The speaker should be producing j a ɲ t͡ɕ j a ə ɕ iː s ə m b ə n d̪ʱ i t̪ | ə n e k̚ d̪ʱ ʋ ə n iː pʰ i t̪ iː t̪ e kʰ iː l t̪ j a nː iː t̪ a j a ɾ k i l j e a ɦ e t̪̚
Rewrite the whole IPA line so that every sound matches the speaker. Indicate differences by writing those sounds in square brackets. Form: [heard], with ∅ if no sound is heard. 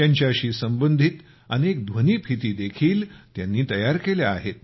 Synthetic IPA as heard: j a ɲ t͡ɕ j a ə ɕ iː s ə m b ə n d̪ʱ i t̪ | ə n e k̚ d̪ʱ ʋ ə n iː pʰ i t̪ iː [d̪] e kʰ iː l t̪ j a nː iː t̪ [ə] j a ɾ k [e] l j [a] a ɦ e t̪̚